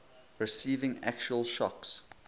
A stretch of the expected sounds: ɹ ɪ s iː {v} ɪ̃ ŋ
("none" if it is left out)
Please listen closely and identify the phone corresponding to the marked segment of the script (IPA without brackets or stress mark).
v